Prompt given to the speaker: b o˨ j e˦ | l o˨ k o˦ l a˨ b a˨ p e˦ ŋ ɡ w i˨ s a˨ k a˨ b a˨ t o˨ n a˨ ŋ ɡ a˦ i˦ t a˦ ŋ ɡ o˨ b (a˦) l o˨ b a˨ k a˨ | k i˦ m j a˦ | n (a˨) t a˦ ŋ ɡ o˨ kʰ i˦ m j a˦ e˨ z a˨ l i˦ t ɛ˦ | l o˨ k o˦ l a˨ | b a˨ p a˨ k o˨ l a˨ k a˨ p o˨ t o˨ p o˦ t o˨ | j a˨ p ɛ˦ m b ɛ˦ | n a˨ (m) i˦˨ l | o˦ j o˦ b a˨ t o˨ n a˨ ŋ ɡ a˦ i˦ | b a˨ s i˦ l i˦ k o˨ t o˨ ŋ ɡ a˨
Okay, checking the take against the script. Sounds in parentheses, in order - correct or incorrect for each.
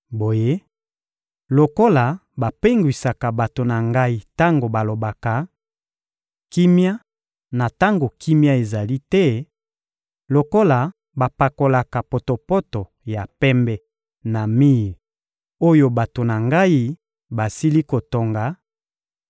incorrect: a˨, correct, correct

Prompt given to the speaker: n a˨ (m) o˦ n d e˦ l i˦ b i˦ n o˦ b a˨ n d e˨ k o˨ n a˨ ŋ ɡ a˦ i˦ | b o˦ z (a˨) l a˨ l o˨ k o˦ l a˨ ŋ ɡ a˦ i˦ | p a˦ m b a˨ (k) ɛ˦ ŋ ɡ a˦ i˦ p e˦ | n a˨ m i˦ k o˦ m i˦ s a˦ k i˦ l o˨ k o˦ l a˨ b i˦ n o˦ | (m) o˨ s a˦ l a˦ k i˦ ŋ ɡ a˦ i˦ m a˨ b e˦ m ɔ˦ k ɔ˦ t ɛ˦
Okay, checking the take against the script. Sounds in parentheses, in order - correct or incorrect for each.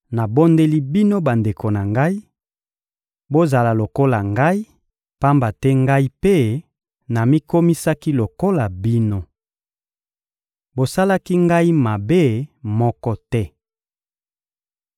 incorrect: b, correct, incorrect: t, incorrect: b

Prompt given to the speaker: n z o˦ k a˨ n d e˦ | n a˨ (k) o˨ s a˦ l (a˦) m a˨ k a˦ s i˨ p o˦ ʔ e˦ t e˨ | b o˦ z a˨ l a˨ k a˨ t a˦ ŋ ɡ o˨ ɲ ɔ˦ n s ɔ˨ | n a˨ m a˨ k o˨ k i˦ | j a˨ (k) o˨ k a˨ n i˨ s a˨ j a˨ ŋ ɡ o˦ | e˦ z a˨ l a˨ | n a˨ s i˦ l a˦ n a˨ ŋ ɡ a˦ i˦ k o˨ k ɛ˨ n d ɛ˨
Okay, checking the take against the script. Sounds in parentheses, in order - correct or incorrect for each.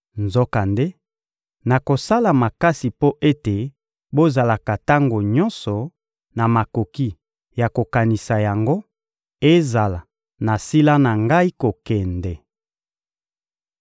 correct, incorrect: a˨, correct

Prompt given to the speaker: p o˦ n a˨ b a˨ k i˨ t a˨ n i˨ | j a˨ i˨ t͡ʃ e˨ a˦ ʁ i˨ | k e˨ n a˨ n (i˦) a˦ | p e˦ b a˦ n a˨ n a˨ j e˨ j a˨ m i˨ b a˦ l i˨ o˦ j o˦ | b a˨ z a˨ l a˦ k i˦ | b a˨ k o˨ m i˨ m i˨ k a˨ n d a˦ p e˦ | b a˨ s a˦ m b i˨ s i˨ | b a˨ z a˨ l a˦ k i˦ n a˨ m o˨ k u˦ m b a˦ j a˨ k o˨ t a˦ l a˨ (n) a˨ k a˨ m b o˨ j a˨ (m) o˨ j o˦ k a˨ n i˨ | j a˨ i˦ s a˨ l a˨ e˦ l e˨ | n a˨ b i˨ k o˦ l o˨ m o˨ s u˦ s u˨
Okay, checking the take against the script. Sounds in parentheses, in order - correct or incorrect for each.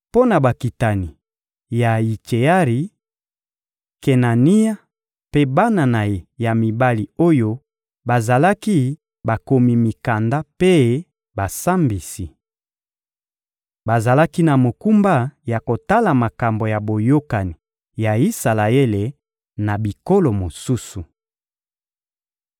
correct, incorrect: m, incorrect: b

